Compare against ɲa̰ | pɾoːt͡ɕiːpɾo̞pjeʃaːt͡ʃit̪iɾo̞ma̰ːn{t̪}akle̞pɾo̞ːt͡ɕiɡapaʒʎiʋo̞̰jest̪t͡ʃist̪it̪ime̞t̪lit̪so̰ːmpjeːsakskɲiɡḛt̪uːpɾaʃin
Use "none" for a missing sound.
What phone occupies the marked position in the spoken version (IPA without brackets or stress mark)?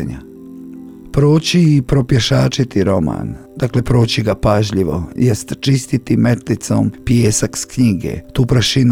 d̪